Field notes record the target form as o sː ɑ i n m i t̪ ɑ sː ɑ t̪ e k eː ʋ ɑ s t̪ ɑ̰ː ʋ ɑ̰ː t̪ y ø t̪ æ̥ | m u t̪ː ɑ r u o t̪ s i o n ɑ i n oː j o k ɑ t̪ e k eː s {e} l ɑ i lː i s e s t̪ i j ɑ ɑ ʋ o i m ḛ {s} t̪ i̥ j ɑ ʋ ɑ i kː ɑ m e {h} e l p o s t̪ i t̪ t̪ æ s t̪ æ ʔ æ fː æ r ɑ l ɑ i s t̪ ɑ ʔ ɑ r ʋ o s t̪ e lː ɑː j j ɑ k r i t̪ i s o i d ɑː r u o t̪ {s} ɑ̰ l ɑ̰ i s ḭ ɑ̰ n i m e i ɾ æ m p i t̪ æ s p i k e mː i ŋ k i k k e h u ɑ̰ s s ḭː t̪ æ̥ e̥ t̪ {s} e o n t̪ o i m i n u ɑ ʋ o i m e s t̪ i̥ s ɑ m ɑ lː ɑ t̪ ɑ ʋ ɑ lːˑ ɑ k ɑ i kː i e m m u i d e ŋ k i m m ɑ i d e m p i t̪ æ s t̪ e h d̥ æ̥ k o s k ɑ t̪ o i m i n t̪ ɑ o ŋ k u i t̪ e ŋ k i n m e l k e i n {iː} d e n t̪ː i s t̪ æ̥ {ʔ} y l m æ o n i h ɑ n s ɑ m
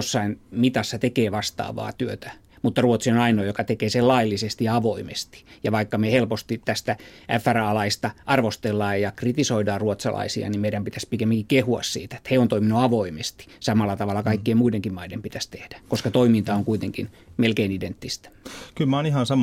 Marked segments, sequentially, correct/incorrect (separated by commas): correct, correct, correct, correct, incorrect, incorrect, incorrect